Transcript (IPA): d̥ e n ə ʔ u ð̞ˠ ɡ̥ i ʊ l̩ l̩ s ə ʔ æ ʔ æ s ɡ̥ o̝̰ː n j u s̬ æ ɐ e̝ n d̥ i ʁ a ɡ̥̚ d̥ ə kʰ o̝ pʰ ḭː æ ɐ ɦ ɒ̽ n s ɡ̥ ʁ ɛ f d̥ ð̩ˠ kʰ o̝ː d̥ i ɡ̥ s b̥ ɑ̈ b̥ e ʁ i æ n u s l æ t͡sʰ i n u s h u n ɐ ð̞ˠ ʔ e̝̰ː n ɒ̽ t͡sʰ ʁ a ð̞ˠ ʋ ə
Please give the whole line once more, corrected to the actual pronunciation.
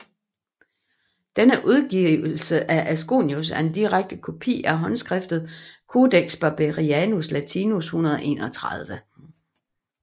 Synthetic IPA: d̥ e n ə ʔ u ð̞ˠ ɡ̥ i ʊ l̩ l̩ s ə ʔ æ ʔ æ s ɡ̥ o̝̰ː n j u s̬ æ ɐ e̝ n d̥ i ʁ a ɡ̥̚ d̥ ə kʰ o̝ pʰ ḭː æ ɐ ɦ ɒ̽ n s ɡ̥ ʁ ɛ f d̥ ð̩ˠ kʰ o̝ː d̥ e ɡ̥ s b̥ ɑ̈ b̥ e ʁ i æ n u s l æ t͡sʰ i n u s h u n ɐ ð̞ˠ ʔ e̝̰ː n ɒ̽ t͡sʰ ʁ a ð̞ˠ ʋ ə